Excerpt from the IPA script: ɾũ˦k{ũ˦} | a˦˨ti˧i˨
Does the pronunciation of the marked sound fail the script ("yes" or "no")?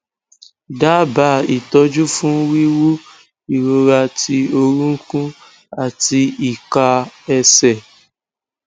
no